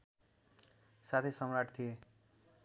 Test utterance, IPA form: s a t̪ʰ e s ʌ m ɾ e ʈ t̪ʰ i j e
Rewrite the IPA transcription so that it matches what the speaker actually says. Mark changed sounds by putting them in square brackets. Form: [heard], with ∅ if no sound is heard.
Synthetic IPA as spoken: s a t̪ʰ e s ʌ m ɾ [a] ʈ t̪ʰ i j e

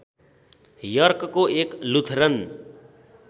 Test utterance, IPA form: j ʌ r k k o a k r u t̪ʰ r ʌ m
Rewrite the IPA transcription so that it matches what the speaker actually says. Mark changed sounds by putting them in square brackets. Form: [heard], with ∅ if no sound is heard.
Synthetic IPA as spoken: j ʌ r k k o [e] k [l] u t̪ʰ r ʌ [n]

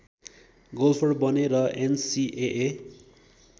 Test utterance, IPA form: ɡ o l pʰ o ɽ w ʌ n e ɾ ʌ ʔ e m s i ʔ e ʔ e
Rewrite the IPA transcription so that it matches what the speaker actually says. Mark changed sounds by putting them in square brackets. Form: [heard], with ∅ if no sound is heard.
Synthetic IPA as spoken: ɡ o l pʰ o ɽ [b] ʌ n e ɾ ʌ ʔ e [n] s i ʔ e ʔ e

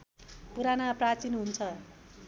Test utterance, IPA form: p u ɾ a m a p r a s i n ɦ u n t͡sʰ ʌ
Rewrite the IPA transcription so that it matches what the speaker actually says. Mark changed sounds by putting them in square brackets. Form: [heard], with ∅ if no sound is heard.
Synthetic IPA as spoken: p u ɾ a [n] a p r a [t͡s] i n ɦ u n t͡sʰ ʌ

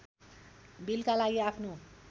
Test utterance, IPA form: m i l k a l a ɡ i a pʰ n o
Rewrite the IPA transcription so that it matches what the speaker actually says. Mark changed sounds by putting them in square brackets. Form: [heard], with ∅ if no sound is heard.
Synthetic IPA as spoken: [b] i l k a l a ɡ i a pʰ n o

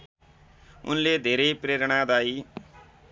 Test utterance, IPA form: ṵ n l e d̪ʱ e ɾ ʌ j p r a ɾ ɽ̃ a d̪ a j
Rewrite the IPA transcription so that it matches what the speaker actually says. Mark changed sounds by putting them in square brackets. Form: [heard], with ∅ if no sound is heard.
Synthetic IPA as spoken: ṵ n l e d̪ʱ e ɾ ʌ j p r [e] ɾ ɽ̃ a d̪ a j

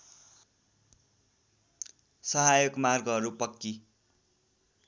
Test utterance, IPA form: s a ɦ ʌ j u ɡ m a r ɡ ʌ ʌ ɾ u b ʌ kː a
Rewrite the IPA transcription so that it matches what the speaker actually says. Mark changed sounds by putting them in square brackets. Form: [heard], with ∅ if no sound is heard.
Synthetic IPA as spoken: s [ʌ] ɦ [a] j [o] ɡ m a r ɡ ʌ ʌ ɾ u [p] ʌ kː [i]

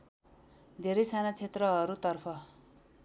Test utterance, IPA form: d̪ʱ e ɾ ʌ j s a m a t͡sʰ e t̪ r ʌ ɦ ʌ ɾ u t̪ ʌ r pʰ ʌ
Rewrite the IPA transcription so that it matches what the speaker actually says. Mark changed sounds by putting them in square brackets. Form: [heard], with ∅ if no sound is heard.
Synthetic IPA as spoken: d̪ʱ e ɾ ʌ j s a [n] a t͡sʰ e t̪ r ʌ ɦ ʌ ɾ u t̪ ʌ r pʰ ʌ

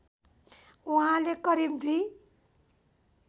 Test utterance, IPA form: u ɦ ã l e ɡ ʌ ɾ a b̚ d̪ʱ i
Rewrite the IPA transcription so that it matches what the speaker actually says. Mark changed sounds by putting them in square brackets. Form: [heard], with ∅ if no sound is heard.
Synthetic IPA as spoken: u ɦ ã l e [k] ʌ ɾ [i] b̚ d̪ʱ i

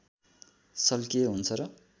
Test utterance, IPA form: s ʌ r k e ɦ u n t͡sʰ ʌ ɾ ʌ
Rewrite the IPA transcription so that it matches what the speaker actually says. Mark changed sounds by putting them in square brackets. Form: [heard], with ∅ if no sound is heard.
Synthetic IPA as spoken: s ʌ [l] k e ɦ u n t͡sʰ ʌ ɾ ʌ

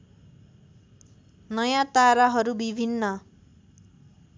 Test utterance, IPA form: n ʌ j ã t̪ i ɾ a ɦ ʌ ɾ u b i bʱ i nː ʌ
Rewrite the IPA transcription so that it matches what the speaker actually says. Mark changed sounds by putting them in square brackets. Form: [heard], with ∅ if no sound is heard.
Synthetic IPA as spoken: n ʌ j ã t̪ [a] ɾ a ɦ ʌ ɾ u b i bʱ i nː ʌ

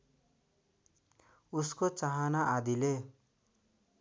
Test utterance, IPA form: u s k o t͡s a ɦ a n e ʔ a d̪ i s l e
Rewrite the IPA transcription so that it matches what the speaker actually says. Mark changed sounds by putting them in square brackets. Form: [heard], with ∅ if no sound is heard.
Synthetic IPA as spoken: u s k o t͡s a ɦ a n [a] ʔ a d̪ i [∅] l e

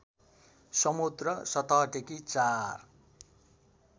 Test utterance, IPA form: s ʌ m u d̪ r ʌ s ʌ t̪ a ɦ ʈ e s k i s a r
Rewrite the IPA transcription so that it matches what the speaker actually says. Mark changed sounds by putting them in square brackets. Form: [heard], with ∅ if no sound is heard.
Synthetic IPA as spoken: s ʌ m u d̪ r ʌ s ʌ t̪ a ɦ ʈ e [∅] k i [t͡s] a r

